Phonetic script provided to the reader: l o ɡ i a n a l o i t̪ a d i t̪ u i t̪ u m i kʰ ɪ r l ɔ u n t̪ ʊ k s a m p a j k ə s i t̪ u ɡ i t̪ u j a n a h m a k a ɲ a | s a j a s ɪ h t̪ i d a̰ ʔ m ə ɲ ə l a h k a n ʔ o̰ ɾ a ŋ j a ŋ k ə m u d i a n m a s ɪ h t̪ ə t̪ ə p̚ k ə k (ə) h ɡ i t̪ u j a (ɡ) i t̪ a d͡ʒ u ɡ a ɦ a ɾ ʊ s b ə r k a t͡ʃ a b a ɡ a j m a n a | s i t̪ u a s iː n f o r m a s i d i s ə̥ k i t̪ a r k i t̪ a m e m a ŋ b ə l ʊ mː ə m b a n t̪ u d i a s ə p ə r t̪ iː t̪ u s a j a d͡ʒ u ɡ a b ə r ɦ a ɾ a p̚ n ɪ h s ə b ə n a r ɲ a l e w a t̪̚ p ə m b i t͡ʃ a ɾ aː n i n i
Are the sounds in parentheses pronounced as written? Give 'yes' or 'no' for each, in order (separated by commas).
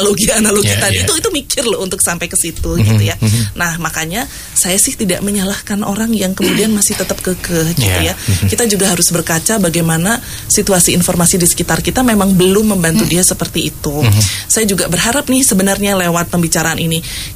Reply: yes, no